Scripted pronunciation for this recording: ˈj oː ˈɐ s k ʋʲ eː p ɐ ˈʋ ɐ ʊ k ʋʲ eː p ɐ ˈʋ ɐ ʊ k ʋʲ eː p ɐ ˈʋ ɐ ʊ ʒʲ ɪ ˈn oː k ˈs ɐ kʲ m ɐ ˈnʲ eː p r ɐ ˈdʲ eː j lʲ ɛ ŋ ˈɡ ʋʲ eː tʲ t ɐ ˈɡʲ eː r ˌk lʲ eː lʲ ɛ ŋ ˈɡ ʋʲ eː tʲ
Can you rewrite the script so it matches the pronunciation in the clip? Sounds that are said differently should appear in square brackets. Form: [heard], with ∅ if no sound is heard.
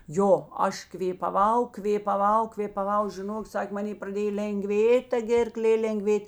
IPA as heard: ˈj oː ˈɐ [ʃ] k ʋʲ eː p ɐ ˈʋ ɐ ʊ k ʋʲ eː p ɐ ˈʋ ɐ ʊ k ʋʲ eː p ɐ ˈʋ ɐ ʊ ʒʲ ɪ ˈn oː k ˈs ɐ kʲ m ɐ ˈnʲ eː p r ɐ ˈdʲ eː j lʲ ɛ ŋ ˈɡ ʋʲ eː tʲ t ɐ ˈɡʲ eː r ˌk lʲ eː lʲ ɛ ŋ ˈɡ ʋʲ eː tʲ